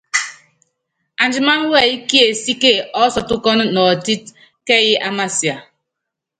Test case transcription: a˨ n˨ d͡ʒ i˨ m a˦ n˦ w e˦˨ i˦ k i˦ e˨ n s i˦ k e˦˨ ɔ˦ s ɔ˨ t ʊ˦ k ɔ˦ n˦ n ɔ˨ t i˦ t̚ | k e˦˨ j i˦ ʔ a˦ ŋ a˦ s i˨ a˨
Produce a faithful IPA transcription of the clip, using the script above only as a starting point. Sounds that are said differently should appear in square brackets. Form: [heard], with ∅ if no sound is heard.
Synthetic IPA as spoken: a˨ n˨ d͡ʒ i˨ m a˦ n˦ w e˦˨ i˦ k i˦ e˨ [∅] s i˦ k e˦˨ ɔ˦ s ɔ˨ t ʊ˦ k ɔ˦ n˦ n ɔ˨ t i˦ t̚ | k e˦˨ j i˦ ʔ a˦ [m] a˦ s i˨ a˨